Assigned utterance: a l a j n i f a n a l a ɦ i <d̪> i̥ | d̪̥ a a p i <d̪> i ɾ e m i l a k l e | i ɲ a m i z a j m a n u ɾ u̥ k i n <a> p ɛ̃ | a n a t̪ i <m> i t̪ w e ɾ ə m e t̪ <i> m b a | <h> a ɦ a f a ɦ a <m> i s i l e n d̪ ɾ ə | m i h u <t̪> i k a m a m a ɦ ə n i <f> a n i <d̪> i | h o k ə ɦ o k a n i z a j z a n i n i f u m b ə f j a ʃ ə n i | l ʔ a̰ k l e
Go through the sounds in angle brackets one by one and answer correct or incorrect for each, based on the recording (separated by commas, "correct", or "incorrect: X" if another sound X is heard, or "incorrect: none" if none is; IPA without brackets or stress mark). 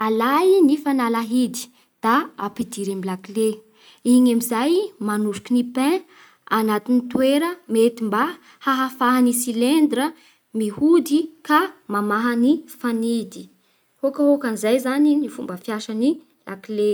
correct, correct, incorrect: i, incorrect: n, correct, correct, incorrect: n, incorrect: d̪, correct, correct